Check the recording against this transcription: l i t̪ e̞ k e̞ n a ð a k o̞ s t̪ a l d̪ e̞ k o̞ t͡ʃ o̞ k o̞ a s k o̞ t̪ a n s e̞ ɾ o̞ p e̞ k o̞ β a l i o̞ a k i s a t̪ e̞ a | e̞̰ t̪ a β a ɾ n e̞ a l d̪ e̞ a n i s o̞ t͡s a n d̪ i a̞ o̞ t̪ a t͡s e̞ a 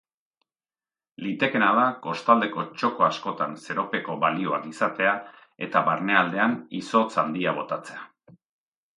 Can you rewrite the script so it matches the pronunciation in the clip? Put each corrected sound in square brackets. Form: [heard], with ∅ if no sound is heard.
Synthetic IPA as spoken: l i t̪ e̞ k e̞ n a ð a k o̞ s t̪ a l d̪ e̞ k o̞ t͡ʃ o̞ k o̞ a s k o̞ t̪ a n s e̞ ɾ o̞ p e̞ k o̞ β a l i o̞ a k i s a t̪ e̞ a | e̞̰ t̪ a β a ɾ n e̞ a l d̪ e̞ a n i s o̞ t͡s a n d̪ i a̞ o̞ t̪ a t͡s e̞ a